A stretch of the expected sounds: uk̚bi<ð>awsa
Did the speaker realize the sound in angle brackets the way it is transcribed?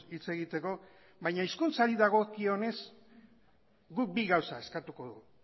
no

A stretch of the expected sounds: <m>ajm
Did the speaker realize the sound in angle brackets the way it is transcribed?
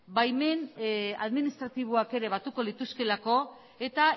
no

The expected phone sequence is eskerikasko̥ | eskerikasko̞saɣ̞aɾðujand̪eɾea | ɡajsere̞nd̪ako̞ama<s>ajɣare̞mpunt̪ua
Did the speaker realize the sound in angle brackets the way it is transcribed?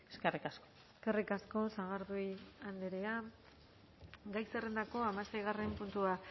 yes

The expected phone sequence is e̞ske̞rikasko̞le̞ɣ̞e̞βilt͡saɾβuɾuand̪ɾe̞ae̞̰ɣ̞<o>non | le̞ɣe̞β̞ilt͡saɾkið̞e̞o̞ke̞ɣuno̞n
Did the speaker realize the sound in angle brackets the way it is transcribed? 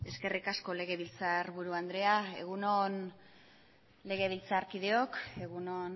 no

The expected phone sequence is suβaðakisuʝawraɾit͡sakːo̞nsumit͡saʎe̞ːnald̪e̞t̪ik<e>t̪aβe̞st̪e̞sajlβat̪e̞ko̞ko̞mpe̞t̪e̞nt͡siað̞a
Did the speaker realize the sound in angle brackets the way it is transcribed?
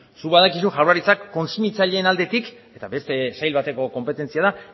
yes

